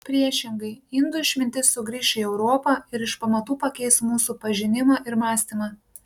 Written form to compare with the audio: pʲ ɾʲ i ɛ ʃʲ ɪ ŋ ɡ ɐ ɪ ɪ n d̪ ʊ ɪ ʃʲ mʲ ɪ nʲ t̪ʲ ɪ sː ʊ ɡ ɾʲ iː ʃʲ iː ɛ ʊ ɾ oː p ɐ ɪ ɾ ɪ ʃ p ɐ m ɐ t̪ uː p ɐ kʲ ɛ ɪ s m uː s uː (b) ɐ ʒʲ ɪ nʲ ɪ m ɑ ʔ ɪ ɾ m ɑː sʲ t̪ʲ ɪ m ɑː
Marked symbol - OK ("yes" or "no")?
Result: no